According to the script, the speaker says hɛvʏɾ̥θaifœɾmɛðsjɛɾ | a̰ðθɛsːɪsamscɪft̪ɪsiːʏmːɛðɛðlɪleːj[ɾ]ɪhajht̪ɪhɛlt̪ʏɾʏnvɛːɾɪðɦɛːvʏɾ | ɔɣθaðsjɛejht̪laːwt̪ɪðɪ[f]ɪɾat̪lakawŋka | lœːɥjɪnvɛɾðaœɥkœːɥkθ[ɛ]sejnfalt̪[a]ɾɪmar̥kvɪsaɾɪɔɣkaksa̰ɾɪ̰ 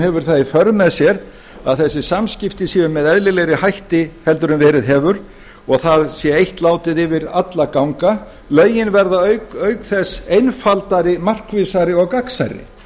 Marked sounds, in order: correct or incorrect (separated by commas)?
correct, incorrect, correct, correct